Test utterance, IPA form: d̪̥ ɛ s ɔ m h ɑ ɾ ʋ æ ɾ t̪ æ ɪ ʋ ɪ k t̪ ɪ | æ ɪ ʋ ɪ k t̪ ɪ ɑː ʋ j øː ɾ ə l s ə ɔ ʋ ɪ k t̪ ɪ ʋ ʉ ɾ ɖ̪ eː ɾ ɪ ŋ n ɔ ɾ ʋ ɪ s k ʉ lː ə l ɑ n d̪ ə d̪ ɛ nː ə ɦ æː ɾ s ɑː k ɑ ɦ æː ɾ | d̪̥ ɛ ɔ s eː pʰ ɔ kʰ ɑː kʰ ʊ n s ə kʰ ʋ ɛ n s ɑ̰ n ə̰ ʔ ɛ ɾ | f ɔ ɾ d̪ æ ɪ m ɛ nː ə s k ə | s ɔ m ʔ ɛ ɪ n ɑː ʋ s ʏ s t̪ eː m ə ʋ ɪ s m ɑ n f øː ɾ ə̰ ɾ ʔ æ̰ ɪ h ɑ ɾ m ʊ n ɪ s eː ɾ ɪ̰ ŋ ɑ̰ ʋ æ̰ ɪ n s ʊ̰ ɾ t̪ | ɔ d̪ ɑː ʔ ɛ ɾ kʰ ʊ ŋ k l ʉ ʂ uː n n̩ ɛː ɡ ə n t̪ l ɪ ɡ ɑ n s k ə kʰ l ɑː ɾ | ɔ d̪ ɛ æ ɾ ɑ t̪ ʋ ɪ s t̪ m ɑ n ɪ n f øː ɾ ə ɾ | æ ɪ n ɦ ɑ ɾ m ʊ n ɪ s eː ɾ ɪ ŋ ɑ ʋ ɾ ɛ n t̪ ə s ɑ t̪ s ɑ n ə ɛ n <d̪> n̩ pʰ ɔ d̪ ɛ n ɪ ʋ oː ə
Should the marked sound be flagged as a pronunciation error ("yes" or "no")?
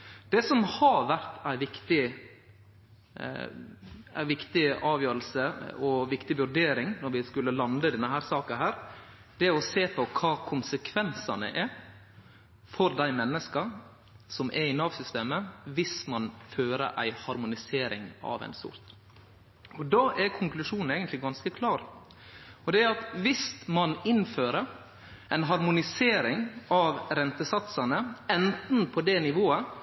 yes